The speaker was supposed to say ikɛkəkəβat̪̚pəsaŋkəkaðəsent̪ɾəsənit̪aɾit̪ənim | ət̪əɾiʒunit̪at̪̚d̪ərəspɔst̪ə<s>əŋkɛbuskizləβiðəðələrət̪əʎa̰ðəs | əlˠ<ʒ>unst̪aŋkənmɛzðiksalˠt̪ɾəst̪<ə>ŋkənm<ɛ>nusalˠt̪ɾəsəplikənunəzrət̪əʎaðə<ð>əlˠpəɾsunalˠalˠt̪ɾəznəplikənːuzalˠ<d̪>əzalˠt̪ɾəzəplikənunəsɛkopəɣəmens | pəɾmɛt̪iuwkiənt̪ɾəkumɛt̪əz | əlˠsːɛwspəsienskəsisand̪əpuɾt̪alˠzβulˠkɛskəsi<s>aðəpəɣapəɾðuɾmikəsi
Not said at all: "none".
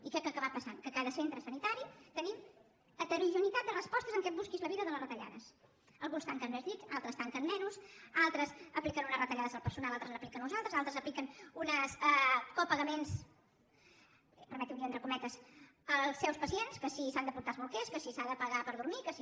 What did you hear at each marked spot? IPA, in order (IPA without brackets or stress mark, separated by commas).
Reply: z, ɣ, a, ɛ, z, t̪, s